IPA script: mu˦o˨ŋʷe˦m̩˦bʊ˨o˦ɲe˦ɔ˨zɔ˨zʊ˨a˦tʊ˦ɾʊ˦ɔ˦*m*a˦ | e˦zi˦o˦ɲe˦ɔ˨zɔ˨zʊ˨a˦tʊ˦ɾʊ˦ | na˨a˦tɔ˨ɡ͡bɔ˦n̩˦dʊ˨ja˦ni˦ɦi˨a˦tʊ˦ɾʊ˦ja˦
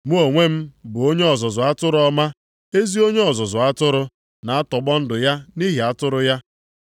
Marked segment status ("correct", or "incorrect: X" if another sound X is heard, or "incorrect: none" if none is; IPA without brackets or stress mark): correct